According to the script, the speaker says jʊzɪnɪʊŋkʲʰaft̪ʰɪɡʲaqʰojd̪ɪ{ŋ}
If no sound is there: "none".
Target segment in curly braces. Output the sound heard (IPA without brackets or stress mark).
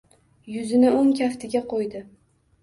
none